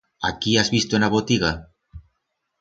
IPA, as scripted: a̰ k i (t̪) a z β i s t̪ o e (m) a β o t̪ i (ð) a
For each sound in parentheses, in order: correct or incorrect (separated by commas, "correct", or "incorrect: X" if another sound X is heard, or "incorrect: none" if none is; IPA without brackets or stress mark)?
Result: incorrect: none, incorrect: n, incorrect: ɣ